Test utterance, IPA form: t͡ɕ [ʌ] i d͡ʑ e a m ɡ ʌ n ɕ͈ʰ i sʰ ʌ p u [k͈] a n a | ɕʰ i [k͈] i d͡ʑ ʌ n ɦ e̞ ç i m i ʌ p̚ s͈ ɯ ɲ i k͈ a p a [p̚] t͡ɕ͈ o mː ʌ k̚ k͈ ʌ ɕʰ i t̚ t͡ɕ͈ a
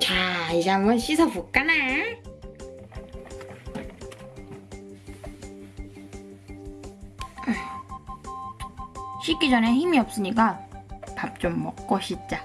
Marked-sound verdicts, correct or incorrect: incorrect: a, correct, correct, correct

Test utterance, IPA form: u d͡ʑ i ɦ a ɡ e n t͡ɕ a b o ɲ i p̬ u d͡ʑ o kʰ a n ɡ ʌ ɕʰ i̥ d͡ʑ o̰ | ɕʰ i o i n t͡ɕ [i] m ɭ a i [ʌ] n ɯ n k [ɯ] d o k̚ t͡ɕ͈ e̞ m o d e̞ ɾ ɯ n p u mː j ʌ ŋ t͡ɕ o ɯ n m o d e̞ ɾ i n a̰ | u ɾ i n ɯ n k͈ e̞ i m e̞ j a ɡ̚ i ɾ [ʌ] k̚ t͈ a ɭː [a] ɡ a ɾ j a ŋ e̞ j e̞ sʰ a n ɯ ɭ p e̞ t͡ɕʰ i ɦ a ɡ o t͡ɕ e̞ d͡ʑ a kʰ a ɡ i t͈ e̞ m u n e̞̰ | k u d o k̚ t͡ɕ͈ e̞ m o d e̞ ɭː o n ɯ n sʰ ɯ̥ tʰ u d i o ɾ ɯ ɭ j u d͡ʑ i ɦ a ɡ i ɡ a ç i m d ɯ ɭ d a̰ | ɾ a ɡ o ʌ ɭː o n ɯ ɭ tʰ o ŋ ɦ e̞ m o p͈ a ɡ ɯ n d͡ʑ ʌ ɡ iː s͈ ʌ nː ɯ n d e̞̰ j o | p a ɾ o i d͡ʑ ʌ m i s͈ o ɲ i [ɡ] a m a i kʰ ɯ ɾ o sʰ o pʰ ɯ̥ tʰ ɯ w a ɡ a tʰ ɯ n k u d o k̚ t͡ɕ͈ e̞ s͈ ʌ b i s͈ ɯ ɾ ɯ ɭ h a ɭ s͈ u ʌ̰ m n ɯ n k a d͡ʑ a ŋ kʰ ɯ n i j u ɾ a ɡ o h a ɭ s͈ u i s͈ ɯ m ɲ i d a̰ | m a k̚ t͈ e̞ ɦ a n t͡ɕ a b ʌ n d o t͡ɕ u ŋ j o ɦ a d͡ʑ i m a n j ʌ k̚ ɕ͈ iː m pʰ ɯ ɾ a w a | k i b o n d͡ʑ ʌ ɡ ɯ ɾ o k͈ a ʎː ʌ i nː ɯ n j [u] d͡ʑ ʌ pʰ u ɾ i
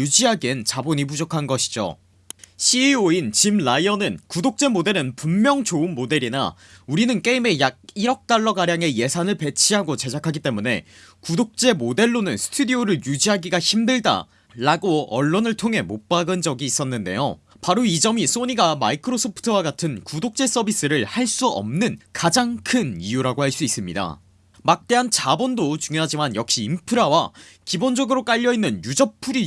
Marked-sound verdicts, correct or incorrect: correct, correct, incorrect: u, correct, incorrect: ʌ, correct, correct

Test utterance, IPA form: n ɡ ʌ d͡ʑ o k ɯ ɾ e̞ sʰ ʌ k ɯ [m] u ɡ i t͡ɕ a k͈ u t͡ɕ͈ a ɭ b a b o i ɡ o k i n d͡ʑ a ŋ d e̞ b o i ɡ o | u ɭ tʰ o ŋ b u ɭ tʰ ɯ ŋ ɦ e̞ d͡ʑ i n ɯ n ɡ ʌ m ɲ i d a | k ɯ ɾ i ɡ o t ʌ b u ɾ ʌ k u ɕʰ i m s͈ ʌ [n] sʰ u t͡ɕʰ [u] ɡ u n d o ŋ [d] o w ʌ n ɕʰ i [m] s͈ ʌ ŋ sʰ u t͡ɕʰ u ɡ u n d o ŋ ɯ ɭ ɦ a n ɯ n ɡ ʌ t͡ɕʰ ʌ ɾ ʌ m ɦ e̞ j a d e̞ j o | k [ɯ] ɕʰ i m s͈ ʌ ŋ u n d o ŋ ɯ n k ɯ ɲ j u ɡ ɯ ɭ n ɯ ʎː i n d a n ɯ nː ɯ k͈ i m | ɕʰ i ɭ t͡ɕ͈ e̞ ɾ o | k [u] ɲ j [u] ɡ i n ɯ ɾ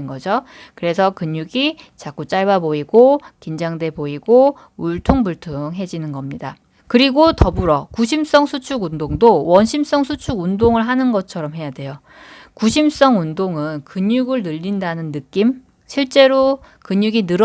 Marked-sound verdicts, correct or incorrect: incorrect: ɲ, incorrect: ŋ, correct, correct, correct, incorrect: u, incorrect: ɯ, correct

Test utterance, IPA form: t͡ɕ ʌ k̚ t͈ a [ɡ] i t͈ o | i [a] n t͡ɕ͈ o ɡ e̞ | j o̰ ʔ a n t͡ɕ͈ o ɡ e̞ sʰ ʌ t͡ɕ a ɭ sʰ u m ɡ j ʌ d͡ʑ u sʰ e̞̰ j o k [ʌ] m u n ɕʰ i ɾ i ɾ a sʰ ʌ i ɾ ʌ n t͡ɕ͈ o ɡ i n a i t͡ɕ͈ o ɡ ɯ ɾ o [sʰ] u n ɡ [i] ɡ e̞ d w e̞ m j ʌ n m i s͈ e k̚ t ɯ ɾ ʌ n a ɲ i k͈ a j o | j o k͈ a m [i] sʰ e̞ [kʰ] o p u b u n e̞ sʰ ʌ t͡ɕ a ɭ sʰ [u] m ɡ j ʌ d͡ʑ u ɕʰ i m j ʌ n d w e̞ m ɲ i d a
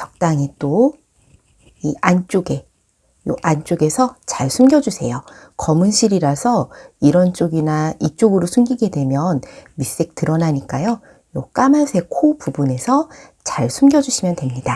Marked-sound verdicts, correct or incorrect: incorrect: ŋ, correct, correct, correct, correct, incorrect: a, correct, correct

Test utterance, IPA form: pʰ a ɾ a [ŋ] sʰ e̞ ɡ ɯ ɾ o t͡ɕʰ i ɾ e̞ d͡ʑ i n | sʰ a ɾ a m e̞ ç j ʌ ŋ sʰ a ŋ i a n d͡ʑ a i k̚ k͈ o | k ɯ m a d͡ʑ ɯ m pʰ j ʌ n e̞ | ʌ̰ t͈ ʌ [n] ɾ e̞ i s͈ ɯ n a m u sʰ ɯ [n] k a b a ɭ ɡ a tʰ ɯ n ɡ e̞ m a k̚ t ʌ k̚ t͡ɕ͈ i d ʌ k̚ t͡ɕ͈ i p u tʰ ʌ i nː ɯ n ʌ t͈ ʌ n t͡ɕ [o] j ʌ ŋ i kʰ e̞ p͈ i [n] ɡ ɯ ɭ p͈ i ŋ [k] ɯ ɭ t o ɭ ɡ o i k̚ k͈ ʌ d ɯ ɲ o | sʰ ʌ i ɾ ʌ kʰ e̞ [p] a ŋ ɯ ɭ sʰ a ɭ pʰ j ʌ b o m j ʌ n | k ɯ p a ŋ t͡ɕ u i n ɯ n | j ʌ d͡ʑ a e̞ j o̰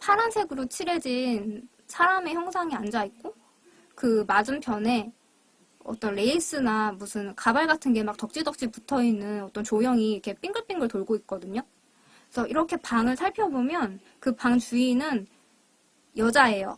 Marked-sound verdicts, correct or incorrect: incorrect: n, correct, correct, correct, incorrect: ŋ, incorrect: ɡ, correct

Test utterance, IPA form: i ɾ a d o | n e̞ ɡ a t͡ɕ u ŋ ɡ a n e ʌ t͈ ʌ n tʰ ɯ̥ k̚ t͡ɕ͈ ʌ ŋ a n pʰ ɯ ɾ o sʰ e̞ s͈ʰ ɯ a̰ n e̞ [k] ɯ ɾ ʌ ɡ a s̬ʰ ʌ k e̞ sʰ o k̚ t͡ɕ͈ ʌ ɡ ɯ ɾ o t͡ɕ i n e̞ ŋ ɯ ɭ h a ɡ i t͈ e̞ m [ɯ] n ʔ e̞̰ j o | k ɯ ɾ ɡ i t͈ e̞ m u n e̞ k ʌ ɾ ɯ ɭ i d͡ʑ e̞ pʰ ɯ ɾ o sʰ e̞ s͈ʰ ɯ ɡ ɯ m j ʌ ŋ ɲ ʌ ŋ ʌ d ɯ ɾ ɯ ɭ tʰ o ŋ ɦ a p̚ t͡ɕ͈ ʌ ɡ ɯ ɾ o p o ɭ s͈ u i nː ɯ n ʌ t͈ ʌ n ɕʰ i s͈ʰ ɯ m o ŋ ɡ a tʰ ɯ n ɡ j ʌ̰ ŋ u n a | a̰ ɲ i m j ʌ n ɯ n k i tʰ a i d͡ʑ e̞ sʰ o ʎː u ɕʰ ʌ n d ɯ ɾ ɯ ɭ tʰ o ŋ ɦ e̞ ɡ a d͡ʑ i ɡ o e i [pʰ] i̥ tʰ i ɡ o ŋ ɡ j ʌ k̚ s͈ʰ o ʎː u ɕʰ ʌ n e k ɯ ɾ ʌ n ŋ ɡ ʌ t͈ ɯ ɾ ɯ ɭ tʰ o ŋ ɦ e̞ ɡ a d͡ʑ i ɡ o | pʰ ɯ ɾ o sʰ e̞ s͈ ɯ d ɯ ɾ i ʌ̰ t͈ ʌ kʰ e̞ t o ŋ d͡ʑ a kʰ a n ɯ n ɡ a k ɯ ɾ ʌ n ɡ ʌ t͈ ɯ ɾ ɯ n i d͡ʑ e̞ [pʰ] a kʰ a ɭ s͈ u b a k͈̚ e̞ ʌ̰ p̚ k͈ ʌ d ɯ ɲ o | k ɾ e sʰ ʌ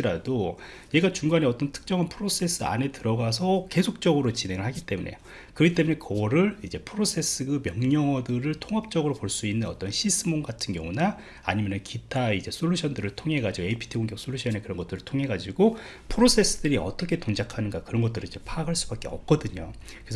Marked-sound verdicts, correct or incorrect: incorrect: t, incorrect: u, correct, correct

